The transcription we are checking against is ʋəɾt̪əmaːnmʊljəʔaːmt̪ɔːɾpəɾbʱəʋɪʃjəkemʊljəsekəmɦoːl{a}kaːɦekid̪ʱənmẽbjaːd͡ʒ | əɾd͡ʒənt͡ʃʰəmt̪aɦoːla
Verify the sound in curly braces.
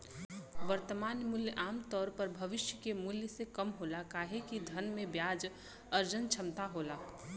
correct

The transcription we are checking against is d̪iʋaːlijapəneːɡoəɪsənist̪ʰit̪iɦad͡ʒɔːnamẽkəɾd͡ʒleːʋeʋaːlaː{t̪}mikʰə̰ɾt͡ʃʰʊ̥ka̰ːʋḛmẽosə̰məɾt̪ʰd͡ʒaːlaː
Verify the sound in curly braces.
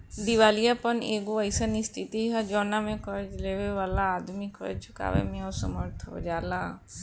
incorrect: d̪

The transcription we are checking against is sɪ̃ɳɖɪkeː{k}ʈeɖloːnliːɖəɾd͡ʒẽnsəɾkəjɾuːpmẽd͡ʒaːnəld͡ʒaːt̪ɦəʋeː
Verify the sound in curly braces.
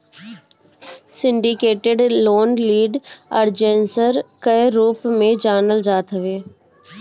incorrect: none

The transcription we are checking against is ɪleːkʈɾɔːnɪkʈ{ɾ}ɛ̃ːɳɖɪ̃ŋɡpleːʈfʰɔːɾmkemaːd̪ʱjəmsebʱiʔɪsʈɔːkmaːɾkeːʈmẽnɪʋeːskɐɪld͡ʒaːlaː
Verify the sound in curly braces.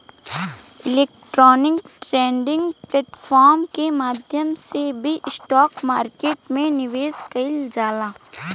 correct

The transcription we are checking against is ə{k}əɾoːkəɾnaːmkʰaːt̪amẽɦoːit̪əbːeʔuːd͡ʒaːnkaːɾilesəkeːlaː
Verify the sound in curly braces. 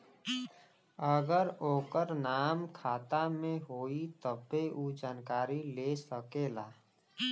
incorrect: ɡ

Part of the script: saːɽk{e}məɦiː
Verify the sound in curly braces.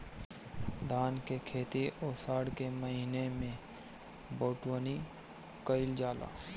correct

